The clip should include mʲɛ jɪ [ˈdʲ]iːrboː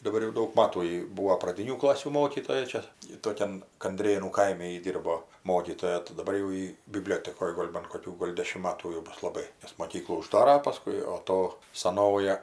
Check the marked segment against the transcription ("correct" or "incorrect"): correct